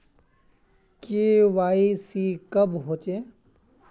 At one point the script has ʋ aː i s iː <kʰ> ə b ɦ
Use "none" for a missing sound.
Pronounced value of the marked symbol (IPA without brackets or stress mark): k